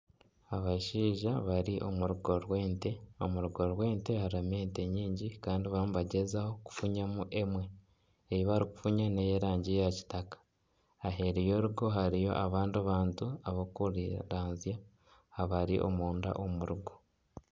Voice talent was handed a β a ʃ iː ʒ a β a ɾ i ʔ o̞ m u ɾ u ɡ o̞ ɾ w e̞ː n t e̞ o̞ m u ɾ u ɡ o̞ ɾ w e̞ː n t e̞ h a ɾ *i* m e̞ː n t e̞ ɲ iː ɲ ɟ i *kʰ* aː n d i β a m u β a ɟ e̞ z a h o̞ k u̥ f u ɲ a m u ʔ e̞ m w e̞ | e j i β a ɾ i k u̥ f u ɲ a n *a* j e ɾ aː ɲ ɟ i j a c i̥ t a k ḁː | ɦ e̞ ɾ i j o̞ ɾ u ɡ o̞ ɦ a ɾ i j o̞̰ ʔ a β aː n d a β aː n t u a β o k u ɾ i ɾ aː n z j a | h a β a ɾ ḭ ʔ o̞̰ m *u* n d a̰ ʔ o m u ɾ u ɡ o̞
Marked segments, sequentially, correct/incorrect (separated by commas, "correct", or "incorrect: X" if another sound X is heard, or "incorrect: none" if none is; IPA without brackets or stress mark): incorrect: a, incorrect: k, incorrect: e, incorrect: uː